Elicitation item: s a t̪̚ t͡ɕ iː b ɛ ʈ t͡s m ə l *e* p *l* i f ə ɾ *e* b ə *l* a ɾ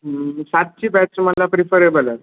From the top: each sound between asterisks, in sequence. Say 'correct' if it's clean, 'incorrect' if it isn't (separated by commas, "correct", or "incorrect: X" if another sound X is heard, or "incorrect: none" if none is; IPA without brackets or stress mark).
incorrect: a, incorrect: ɾ, correct, correct